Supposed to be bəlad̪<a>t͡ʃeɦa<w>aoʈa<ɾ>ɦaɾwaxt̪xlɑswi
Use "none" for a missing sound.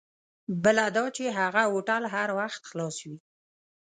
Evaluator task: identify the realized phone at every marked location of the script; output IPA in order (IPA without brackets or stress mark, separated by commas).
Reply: ɑ, ɣ, l